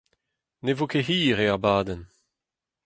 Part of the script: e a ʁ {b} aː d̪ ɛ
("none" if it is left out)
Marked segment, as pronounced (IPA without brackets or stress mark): b